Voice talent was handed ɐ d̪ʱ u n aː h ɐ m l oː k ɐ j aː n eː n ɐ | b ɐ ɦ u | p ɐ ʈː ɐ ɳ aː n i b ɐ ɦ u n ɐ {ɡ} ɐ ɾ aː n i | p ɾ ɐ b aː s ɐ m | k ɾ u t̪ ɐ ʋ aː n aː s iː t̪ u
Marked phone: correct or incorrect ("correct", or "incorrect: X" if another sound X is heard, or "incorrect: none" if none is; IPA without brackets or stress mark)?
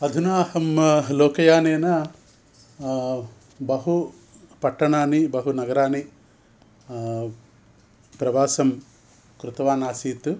correct